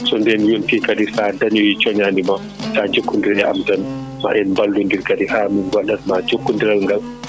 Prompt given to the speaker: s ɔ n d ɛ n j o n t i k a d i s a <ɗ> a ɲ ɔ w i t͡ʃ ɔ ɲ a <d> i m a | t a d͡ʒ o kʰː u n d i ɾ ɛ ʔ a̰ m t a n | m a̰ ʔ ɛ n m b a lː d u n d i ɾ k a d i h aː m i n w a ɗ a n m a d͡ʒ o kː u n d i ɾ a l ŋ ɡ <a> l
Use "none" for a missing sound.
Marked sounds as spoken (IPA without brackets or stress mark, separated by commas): d, n, a